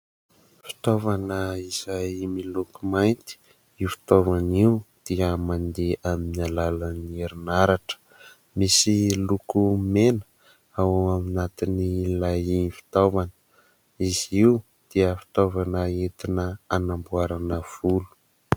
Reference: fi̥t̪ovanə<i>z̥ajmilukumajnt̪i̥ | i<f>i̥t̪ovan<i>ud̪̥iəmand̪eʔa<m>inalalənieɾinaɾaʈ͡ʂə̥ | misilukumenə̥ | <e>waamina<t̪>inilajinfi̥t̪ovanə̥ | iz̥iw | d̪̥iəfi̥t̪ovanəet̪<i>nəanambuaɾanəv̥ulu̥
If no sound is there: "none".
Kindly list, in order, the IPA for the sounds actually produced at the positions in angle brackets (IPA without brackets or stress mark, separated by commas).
i, f, i, m, a, t̪, i